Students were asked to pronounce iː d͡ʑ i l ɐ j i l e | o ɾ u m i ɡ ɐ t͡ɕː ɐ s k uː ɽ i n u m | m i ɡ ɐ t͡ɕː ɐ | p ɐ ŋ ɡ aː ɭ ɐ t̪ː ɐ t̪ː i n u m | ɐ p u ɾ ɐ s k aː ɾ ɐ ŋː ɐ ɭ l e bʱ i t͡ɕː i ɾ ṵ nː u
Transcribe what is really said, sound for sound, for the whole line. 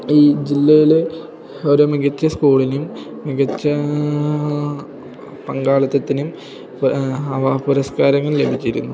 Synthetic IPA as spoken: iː d͡ʑ i lː ɐ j i l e | o ɾ u m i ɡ ɐ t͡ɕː ɐ s k uː ɭ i n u m | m i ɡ ɐ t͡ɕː ɐ | p ɐ ŋ ɡ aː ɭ ɐ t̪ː ɐ t̪ː i n u m | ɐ p u ɾ ɐ s k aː ɾ ɐ ŋː ɐ ɭ l e bʱ i t͡ɕː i ɾ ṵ nː u

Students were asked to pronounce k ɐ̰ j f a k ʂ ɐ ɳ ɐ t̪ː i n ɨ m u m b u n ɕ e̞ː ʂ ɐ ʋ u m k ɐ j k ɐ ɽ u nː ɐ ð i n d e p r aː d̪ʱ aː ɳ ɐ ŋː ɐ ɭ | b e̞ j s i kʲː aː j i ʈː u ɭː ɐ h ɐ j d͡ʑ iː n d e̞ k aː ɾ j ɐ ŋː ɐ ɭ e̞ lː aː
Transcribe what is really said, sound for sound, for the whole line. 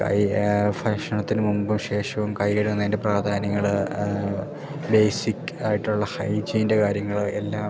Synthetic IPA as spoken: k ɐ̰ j f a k ʂ ɐ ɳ ɐ t̪ː i n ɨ m u m b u m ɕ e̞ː ʂ ɐ ʋ u m k ɐ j k ɐ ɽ u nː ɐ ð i n d e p r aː d̪ʱ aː n ɐ ŋː ɐ ɭ | b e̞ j s i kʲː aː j i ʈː u ɭː ɐ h ɐ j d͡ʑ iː n d e̞ k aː ɾ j ɐ ŋː ɐ ɭ e̞ lː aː

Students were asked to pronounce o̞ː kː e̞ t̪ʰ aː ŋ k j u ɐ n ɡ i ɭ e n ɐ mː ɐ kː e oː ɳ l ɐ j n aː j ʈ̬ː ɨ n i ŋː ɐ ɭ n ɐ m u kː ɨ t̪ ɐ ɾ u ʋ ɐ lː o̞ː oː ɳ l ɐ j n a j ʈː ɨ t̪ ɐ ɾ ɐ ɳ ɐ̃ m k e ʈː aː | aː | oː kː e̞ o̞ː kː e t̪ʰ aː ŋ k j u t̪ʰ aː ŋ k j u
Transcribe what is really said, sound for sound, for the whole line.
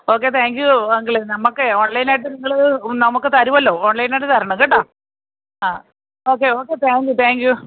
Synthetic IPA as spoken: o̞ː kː e̞ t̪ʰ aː ŋ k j u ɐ ŋ ɡ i ɭ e n ɐ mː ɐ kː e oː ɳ l ɐ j n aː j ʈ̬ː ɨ n i ŋː ɐ ɭ n ɐ m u kː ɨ t̪ ɐ ɾ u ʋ ɐ lː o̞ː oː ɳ l ɐ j n a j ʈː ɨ t̪ ɐ ɾ ɐ ɳ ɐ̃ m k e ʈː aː | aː | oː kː e̞ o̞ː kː e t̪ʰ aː ŋ k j u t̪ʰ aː ŋ k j u

